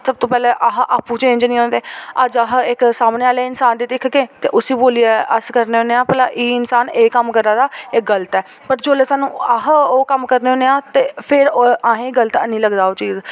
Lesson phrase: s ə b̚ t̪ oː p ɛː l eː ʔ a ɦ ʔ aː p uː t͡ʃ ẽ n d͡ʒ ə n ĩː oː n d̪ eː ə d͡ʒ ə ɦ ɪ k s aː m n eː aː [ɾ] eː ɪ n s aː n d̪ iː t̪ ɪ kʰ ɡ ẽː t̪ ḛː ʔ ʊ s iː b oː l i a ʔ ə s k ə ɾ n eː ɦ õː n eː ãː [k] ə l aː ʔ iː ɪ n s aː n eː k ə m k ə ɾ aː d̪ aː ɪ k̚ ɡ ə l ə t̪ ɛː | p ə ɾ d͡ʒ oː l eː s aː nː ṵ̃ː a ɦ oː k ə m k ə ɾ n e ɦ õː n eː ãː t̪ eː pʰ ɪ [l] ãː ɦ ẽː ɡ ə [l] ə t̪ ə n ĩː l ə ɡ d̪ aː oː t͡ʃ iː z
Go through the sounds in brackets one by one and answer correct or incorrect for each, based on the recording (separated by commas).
incorrect, incorrect, incorrect, correct